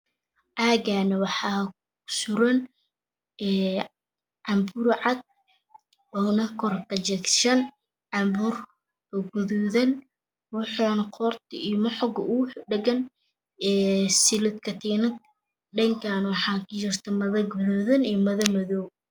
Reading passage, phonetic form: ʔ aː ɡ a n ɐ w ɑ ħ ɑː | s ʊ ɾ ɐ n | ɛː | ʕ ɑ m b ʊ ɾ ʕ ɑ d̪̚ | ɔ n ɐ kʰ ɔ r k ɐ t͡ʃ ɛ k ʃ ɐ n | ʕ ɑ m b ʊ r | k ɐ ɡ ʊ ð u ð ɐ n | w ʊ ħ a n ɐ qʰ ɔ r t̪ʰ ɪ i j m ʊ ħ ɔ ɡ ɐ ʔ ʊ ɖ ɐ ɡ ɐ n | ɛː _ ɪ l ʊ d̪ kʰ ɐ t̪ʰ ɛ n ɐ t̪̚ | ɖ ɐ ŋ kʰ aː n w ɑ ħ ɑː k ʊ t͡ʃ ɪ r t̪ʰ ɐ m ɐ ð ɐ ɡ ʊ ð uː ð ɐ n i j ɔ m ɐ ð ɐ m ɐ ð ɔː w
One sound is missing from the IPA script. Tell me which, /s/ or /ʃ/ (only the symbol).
s